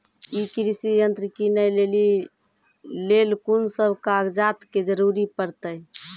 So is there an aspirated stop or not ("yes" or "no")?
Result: no